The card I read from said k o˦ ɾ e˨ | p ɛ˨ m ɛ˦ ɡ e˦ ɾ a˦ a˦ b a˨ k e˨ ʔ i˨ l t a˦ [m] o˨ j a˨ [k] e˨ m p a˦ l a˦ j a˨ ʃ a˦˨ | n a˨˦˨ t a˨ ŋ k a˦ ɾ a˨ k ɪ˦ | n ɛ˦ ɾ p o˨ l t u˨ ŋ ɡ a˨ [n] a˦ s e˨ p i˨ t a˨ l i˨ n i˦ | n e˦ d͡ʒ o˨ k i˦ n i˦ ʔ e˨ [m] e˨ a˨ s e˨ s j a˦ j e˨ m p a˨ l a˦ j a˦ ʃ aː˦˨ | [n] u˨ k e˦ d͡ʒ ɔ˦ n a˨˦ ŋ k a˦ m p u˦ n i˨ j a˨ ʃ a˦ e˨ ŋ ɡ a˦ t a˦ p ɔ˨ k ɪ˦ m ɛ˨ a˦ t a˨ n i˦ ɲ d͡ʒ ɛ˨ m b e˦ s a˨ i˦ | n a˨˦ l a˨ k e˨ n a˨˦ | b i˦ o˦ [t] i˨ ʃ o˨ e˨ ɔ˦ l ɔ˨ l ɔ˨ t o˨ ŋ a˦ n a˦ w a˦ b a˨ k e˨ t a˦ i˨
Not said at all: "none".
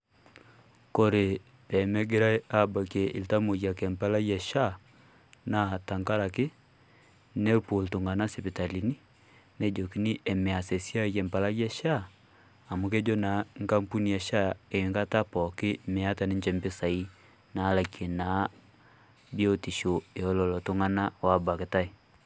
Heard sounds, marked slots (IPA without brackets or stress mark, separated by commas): m, k, n, m, m, t